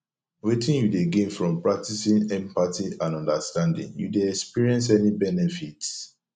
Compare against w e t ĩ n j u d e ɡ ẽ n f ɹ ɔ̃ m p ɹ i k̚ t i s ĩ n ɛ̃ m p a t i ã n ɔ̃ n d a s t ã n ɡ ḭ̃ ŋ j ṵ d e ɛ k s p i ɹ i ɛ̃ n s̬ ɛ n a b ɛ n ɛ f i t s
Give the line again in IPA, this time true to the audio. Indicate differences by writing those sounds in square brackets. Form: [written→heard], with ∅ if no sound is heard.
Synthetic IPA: w e t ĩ n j u d e ɡ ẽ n f ɹ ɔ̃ m p ɹ [i→a] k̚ t i s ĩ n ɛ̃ m p a t i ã n ɔ̃ n d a s t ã n [ɡ→d] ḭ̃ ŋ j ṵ d e ɛ k s p i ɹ i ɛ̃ n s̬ ɛ n [a→i] b ɛ n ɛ f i t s